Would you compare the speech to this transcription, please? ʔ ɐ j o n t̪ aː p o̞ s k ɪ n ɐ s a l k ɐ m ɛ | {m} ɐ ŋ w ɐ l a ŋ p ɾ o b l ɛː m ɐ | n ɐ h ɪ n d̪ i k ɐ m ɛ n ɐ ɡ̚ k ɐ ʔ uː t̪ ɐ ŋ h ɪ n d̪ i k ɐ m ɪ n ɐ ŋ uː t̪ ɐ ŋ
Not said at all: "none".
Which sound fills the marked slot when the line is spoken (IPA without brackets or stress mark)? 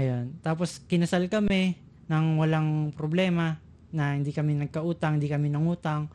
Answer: n